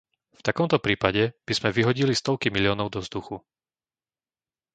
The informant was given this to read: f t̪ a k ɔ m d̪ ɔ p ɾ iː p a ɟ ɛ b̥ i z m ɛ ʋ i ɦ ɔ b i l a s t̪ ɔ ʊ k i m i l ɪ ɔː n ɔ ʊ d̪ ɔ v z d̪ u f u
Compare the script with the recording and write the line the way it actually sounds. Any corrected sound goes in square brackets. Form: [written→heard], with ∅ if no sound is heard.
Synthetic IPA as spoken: f t̪ a k ɔ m [d̪→t̪] ɔ p ɾ iː p a ɟ ɛ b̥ i z m ɛ ʋ i ɦ ɔ [b→ɟ] i l [a→i] s t̪ ɔ ʊ k i m i l ɪ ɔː n ɔ ʊ d̪ ɔ v z d̪ u [f→x] u